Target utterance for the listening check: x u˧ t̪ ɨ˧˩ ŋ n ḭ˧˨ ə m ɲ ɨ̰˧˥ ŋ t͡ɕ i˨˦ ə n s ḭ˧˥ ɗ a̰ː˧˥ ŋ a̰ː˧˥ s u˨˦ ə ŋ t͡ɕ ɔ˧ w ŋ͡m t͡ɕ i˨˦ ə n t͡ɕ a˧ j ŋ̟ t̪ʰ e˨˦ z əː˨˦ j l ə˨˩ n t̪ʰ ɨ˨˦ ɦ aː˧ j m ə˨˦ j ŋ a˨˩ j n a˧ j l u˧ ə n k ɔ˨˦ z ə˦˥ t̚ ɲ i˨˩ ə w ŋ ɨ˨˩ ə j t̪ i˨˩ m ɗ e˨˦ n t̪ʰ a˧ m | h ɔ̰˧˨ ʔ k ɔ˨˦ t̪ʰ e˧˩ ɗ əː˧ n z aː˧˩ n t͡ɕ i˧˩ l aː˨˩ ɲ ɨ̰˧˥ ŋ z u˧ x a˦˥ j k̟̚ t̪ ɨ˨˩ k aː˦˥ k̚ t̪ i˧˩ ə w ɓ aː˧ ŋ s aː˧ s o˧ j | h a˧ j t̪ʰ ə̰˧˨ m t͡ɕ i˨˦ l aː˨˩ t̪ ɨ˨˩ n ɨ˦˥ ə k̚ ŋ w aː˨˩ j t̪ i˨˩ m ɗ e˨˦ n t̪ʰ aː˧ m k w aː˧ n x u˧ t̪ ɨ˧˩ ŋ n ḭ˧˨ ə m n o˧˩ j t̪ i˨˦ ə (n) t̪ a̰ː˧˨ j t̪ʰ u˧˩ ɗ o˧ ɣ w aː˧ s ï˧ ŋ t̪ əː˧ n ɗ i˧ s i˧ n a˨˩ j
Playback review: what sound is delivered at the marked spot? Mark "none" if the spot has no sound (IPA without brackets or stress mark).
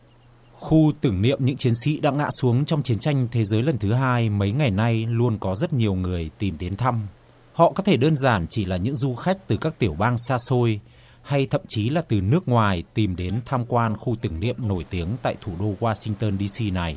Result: ŋ